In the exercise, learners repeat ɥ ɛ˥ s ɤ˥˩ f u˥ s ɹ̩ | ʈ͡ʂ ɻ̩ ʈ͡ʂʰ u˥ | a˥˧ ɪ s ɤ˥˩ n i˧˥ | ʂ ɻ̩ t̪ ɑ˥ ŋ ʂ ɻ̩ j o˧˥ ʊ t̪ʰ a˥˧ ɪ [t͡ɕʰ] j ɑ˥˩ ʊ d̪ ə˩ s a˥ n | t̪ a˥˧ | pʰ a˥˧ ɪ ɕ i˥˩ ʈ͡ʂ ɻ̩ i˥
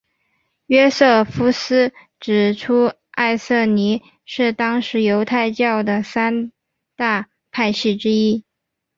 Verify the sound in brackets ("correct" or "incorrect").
incorrect